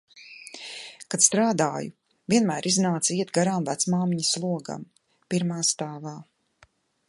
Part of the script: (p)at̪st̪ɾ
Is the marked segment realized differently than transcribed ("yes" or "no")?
yes